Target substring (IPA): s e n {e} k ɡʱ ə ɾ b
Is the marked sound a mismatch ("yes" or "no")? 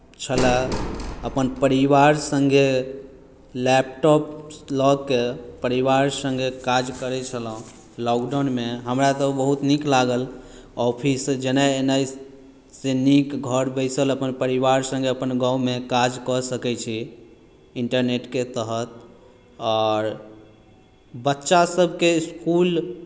yes